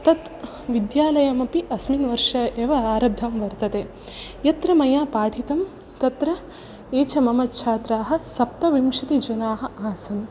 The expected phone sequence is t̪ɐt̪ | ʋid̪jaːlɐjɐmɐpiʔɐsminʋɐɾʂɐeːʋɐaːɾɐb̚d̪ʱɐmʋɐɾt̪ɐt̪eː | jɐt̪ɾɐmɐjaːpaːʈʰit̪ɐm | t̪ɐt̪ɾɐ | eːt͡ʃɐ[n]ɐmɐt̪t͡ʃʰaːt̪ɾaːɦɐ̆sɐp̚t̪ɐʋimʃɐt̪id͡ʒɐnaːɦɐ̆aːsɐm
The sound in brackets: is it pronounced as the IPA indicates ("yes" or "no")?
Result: no